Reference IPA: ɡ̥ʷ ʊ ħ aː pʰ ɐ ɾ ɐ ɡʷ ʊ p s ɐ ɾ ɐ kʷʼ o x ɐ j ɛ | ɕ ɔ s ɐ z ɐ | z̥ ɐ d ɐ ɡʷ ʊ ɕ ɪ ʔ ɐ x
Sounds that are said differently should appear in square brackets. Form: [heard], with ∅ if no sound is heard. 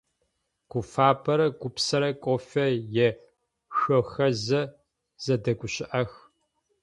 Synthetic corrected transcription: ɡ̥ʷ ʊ [f] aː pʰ ɐ ɾ ɐ ɡʷ ʊ p s ɐ ɾ ɐ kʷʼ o [f] ɐ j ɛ | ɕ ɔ [x] ɐ z ɐ | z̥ ɐ d ɐ ɡʷ ʊ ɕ ɪ ʔ ɐ x